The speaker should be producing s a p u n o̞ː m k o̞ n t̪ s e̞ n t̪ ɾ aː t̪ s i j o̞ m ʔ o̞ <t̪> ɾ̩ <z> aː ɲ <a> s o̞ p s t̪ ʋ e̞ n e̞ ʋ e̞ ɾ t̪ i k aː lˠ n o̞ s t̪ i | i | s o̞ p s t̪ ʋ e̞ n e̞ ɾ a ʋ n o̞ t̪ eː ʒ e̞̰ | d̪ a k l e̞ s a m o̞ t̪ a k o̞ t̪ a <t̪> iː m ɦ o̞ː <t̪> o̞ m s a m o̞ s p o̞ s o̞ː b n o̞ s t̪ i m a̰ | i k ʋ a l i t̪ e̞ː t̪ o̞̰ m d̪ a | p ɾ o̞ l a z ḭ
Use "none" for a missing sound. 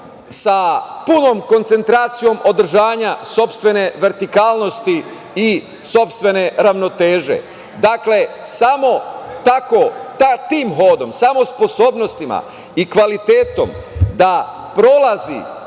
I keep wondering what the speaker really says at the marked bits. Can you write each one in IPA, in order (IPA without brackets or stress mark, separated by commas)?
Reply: d̪, ʒ, a, t̪, d̪